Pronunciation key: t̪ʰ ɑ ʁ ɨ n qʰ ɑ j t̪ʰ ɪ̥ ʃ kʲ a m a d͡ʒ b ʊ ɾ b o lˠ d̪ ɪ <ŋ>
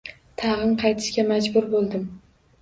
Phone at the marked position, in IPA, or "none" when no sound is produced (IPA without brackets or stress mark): m